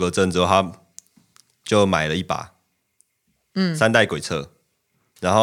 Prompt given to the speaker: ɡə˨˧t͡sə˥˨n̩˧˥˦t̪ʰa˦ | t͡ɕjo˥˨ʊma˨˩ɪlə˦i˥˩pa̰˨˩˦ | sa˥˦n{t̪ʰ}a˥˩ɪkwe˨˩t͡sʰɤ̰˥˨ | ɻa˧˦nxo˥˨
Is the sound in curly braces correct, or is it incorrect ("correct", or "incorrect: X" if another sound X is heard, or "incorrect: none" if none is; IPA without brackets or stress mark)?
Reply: incorrect: t̪